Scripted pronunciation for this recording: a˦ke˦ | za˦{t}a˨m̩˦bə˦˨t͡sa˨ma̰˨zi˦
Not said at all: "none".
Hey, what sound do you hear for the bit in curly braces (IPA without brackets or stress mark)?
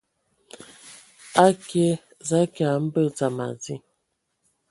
k